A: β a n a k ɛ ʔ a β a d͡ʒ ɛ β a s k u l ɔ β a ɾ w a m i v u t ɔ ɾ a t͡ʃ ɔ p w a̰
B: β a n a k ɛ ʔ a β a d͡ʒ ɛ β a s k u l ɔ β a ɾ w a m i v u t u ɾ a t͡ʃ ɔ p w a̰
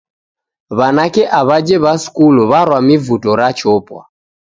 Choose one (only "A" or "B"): A